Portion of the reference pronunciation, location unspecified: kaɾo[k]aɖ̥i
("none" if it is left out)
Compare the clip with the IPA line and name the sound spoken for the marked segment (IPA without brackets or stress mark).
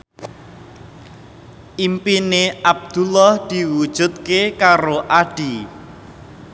ʔ